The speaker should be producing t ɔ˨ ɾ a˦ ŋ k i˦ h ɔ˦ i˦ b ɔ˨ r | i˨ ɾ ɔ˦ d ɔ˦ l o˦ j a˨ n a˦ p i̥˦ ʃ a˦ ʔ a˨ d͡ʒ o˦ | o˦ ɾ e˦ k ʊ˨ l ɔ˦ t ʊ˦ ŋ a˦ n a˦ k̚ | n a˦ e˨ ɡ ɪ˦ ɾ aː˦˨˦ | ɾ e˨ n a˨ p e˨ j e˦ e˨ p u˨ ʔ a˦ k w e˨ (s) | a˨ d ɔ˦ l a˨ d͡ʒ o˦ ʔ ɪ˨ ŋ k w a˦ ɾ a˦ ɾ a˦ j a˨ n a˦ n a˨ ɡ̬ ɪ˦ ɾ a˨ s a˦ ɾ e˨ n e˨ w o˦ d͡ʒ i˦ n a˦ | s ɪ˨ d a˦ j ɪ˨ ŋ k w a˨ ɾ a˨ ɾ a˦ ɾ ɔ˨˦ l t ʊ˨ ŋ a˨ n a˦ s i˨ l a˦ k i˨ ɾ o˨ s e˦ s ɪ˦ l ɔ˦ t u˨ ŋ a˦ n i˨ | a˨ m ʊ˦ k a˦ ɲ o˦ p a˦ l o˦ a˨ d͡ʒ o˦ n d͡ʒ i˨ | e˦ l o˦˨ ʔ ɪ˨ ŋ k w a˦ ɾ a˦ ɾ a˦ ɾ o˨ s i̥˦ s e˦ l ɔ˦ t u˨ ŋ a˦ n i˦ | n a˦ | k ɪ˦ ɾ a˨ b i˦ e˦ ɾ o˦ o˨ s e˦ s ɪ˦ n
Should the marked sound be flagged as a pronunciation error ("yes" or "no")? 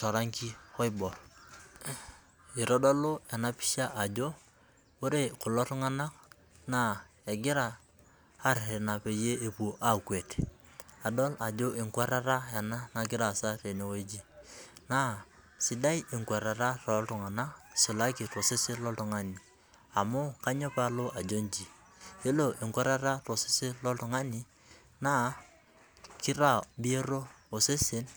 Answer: yes